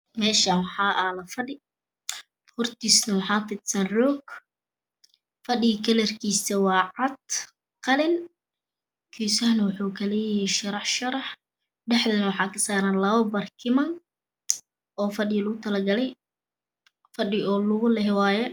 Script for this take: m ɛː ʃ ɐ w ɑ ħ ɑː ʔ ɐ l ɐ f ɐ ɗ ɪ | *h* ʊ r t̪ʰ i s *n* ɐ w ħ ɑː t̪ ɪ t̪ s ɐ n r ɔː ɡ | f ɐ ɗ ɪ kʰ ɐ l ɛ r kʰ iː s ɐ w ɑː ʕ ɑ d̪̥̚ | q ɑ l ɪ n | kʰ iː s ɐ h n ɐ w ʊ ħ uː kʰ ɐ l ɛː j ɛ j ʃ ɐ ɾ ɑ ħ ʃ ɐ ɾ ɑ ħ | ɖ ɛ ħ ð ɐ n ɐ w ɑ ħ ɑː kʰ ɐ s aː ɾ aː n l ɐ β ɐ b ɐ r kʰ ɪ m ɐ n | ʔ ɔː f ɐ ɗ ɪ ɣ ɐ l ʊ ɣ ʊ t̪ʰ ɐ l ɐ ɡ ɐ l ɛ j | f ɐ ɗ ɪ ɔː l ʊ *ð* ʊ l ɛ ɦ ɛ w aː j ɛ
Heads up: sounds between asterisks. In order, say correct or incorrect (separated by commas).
correct, correct, incorrect